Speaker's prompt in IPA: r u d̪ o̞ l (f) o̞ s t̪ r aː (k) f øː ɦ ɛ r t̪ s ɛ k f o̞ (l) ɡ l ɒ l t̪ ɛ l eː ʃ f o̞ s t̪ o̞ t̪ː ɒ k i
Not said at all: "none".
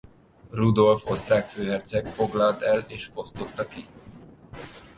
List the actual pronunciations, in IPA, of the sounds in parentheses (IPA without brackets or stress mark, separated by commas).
f, k, none